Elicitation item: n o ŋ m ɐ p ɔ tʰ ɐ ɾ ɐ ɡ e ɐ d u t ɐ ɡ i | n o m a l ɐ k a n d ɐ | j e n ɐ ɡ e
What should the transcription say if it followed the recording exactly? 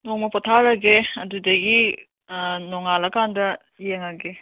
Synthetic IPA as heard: n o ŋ m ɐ p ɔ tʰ a ɾ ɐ ɡ e ɐ d u d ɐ ɡ i | n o ŋ a l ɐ k a n d ɐ | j e ŋ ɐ ɡ e

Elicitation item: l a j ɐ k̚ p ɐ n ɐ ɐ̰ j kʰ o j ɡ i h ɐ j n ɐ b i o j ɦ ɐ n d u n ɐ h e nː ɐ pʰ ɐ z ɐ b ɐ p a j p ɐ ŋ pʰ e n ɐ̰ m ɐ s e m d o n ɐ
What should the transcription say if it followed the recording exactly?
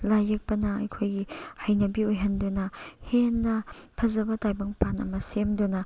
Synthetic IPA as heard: l a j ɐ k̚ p ɐ n ɐ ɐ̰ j kʰ o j ɡ i h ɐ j n ɐ b i o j ɦ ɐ n d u n ɐ h e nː ɐ pʰ ɐ z ɐ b ɐ t a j b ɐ ŋ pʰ a n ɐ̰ m ɐ s e m d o n ɐ

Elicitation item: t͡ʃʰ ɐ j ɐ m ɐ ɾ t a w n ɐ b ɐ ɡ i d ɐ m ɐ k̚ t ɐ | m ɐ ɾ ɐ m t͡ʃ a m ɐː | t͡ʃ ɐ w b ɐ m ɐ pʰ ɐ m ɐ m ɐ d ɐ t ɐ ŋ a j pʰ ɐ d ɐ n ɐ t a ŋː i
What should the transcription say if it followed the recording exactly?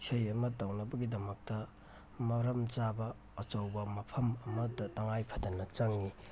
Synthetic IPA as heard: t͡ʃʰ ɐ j ɐ m ɐ t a w n ɐ b ɐ ɡ i d ɐ m ɐ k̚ t ɐ | m ɐ ɾ ɐ m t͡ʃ a b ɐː | t͡ʃ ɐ w b ɐ m ɐ pʰ ɐ m ɐ m ɐ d ɐ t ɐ ŋ a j pʰ ɐ d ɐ n ɐ t͡ʃ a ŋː i

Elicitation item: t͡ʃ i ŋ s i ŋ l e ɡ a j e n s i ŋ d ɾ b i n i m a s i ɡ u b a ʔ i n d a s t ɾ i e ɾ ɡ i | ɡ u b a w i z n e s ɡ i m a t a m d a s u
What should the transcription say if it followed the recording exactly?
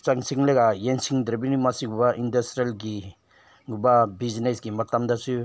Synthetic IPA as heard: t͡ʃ a ŋ s i ŋ l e ɡ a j e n s i ŋ d ɾ b i n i m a s i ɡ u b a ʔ i n d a s t ɾ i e l ɡ i | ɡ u b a b i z n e s ɡ i m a t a m d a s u

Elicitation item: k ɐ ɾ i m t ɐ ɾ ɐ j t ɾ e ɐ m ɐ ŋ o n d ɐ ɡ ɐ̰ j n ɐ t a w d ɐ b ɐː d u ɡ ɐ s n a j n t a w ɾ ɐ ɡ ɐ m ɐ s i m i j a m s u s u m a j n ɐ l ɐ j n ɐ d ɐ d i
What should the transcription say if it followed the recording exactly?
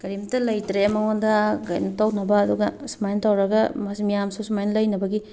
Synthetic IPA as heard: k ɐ ɾ i m t ɐ l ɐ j t ɾ e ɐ m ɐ ŋ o n d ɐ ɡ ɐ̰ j n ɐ t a w n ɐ b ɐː d u ɡ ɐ s m a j n t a w ɾ ɐ ɡ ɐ m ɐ s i m i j a m s u s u m a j n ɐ l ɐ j n ɐ b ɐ ɡ i

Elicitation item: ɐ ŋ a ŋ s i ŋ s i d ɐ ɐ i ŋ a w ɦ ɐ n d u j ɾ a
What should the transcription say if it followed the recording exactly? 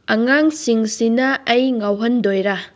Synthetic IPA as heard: ɐ ŋ a ŋ s i ŋ s i n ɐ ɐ j ŋ a w ɦ ɐ n d o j ɾ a

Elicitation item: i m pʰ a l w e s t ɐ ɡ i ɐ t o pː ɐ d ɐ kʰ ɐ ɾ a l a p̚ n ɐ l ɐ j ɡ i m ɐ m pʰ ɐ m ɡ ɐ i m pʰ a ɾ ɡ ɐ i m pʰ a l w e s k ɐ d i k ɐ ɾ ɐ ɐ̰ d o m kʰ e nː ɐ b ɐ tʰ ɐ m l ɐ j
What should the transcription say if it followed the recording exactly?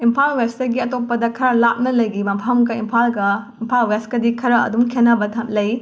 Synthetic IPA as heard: i m pʰ a l w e s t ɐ ɡ i ɐ t o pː ɐ d ɐ kʰ ɐ ɾ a l a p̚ n ɐ l ɐ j ɡ i m ɐ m pʰ ɐ m ɡ ɐ i m pʰ a l ɡ ɐ i m pʰ a l w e s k ɐ d i kʰ ɐ ɾ ɐ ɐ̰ d u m kʰ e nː ɐ b ɐ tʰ ɐ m l ɐ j

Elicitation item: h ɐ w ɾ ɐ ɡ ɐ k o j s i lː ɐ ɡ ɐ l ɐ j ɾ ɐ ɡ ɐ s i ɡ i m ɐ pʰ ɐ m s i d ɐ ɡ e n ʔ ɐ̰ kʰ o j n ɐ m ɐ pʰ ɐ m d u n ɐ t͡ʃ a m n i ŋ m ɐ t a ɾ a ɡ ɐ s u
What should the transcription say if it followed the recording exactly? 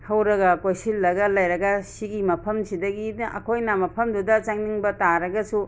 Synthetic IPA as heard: h ɐ w ɾ ɐ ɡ ɐ k o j s i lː ɐ ɡ ɐ l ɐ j ɾ ɐ ɡ ɐ s i ɡ i m ɐ pʰ ɐ m s i d ɐ ɡ i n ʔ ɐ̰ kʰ o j n ɐ m ɐ pʰ ɐ m d u d ɐ t͡ʃ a ŋ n i ŋ b ɐ t a ɾ ɐ ɡ ɐ s u

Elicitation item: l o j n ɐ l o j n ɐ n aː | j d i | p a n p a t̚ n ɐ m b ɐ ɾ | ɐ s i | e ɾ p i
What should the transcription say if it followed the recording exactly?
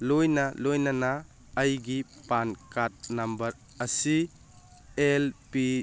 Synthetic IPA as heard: l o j n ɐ l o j n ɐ n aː | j ɡ i | p a n k a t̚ n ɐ m b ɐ ɾ | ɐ s i | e l p i

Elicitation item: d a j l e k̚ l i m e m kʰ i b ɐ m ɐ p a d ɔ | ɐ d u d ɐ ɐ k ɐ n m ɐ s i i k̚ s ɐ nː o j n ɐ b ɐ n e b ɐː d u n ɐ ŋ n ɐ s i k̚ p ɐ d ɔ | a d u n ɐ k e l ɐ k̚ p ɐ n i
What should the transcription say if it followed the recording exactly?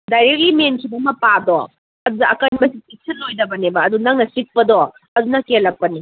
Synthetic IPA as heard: d a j ɾ e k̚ l i m e n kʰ i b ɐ m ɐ p a d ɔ | ɐ d u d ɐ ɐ k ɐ n b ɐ s i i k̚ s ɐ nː o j d ɐ b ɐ n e b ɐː d u n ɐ ŋ n ɐ s i k̚ p ɐ d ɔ | ɐ d u n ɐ k e l ɐ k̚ p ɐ n i

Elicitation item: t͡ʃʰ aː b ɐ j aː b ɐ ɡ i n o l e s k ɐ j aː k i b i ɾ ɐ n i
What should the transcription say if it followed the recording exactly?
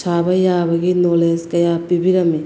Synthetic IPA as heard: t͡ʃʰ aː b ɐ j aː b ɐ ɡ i n o l e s k ɐ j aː p i b i ɾ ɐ m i

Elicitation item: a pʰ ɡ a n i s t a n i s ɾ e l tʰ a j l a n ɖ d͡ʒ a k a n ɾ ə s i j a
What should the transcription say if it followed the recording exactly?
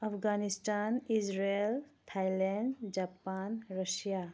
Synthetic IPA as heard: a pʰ ɡ a n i s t a n i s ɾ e l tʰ a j l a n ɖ d͡ʒ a p a n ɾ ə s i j a

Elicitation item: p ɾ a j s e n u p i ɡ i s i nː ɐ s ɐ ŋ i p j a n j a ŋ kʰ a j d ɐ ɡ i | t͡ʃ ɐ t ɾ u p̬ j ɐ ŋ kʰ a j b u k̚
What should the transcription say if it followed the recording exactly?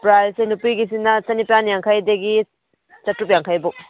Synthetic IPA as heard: p ɾ a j s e n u p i ɡ i s i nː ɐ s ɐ n i p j a n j a ŋ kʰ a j d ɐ ɡ i | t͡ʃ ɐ t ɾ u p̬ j a ŋ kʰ a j b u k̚

